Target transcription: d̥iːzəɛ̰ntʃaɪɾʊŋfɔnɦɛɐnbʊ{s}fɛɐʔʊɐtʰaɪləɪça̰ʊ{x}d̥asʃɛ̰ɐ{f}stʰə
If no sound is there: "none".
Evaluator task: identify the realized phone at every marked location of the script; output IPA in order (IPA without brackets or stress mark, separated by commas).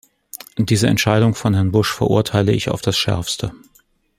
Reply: ʃ, f, f